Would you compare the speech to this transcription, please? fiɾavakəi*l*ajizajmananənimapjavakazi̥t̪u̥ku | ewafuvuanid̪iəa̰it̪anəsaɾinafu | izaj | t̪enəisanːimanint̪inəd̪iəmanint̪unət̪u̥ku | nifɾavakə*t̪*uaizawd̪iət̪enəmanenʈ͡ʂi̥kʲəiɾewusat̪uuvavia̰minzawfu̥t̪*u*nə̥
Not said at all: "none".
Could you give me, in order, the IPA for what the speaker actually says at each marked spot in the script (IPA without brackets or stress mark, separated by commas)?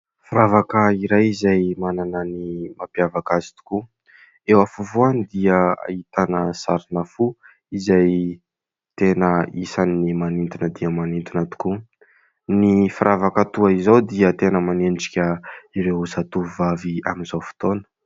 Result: ɾ, t̪, o